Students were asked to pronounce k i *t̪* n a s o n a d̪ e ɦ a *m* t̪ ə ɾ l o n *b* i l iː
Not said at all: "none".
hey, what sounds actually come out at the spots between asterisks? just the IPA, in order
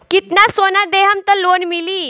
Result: t̪, m, m

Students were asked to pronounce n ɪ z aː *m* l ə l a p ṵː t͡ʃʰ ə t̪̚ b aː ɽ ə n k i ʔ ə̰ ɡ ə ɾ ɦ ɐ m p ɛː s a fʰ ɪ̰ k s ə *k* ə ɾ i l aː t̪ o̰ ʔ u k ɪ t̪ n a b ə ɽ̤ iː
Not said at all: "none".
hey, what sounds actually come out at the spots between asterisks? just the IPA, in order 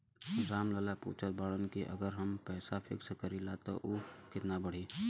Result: m, k

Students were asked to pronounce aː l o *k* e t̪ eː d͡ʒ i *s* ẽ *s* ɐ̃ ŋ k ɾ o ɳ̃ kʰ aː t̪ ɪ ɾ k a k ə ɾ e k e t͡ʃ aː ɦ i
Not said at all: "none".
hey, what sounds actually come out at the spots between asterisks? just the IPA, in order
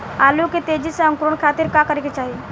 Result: k, s, none

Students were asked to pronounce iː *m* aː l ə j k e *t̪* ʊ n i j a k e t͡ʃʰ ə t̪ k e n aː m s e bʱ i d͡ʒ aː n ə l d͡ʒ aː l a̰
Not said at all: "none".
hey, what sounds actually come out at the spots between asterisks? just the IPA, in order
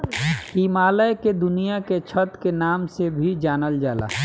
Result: m, d̪

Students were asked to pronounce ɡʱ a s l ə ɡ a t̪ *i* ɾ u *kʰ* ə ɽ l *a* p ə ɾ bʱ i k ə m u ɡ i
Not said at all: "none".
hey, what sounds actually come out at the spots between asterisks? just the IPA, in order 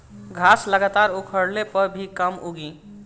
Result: a, kʰ, e

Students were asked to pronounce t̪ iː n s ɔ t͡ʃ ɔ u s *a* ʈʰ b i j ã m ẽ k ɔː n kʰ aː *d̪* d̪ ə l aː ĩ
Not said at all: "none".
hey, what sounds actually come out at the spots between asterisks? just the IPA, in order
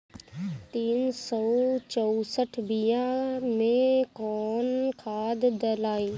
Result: ə, d̪

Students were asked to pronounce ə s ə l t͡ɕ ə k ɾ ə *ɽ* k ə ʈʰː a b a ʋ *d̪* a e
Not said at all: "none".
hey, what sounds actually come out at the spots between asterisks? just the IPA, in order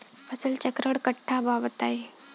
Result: ɽ, t̪

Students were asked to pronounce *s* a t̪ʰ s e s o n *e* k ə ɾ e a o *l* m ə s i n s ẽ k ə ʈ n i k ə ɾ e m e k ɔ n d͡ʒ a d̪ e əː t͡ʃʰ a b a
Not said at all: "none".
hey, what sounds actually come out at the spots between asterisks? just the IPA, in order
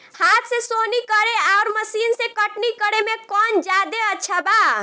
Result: h, i, ɾ

